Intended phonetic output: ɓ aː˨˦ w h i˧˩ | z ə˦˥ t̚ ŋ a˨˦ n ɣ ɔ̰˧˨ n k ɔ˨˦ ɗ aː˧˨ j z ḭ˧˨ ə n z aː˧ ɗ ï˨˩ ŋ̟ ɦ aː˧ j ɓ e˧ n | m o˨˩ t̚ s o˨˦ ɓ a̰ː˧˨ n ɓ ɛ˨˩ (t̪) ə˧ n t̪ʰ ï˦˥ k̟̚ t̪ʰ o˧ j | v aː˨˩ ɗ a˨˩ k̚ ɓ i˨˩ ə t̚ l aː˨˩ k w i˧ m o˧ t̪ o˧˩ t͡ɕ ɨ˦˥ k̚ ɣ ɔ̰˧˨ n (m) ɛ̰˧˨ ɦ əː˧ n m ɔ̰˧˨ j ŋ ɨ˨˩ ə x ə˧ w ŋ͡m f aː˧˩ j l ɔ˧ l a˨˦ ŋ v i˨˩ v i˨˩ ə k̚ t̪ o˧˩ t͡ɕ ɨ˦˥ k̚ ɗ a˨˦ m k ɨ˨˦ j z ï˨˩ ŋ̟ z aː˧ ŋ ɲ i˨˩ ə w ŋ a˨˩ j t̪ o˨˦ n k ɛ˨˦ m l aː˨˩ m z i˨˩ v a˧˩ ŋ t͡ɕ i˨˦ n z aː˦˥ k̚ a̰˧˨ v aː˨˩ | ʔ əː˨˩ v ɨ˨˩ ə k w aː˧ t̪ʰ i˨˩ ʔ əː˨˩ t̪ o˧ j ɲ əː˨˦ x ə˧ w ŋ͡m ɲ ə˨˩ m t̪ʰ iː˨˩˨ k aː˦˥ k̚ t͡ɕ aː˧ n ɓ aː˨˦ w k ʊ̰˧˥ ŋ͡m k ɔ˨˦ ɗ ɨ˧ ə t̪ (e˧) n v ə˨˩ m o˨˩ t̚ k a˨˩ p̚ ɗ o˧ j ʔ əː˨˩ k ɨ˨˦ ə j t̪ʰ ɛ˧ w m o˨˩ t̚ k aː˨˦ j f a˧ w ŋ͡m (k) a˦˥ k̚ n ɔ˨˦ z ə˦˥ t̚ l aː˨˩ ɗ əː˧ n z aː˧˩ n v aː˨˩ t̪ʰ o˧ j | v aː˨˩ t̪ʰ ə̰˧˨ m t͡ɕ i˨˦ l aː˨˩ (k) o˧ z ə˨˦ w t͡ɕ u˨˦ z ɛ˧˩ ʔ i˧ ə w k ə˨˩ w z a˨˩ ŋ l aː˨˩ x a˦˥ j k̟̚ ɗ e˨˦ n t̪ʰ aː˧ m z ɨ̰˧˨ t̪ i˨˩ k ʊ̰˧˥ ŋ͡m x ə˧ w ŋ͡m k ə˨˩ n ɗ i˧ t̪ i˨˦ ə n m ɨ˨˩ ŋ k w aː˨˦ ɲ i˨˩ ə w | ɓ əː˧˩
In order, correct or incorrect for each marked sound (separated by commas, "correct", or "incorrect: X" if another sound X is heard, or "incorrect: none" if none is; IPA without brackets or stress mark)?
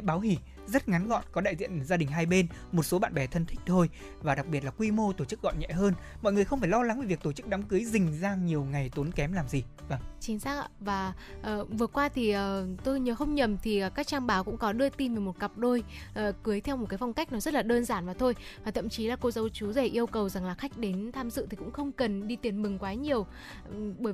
incorrect: t̪ʰ, incorrect: ɲ, incorrect: i˧, correct, correct